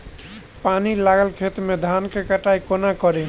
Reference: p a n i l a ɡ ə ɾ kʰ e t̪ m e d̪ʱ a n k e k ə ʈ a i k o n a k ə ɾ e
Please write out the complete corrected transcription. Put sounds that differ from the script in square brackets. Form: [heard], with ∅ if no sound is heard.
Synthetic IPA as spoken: p a n i l a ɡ ə [l] kʰ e t̪ m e d̪ʱ a n k e k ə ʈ a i k o n a k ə ɾ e